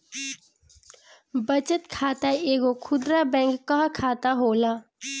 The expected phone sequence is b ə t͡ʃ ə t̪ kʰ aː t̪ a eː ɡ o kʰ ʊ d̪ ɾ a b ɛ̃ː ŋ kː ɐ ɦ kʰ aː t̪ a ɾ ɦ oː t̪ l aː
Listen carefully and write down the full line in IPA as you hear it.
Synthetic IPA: b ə t͡ʃ ə t̪ kʰ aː t̪ a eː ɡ o kʰ ʊ d̪ ɾ a b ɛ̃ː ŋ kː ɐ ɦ kʰ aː t̪ a ɦ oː l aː